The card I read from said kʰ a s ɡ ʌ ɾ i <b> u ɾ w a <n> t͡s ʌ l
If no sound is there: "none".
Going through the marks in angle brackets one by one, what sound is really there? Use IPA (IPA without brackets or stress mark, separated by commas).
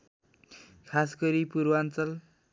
p, n